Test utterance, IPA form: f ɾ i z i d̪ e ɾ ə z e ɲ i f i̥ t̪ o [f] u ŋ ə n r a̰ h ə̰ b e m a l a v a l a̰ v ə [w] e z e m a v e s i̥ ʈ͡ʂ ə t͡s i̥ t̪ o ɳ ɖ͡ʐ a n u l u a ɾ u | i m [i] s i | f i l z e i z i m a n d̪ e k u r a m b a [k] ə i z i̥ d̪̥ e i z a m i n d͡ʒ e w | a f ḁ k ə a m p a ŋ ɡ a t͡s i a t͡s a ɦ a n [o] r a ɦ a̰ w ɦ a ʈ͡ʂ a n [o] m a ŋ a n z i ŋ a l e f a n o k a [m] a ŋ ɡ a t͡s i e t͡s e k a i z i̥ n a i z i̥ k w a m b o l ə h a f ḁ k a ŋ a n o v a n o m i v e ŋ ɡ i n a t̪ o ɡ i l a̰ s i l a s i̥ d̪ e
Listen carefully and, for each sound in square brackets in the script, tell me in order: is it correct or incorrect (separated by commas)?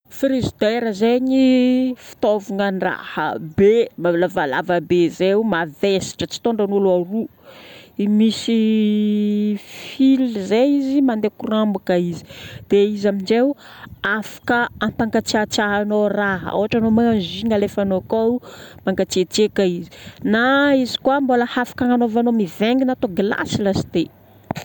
incorrect, incorrect, correct, correct, correct, correct, correct